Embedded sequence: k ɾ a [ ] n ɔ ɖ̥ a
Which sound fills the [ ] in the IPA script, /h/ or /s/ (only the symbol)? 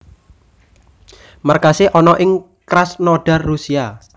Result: s